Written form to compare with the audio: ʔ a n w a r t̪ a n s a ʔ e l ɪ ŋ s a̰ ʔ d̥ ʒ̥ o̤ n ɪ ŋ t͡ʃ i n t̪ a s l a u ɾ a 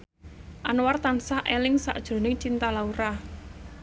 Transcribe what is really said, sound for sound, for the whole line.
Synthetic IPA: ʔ a n w a r t̪ a n s a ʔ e l ɪ ŋ s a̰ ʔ d̥ ʒ̥ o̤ n ɪ ŋ t͡ʃ i n t̪ a l a u ɾ a